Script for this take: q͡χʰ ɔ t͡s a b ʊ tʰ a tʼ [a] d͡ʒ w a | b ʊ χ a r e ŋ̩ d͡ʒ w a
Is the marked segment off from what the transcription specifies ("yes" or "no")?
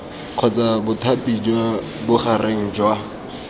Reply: yes